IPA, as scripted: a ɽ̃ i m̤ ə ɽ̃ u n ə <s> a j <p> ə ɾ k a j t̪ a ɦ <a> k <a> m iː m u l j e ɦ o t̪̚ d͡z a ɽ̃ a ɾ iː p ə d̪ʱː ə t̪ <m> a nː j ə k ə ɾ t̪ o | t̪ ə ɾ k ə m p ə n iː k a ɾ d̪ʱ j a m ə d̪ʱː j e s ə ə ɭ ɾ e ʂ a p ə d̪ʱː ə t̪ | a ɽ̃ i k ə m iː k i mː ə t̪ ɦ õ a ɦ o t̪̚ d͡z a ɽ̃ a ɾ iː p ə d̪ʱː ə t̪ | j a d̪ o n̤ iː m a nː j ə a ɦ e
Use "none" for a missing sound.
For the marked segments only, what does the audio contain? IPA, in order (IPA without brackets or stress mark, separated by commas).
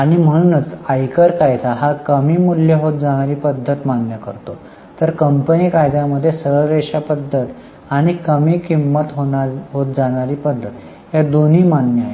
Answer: t͡s, k, a, ə, m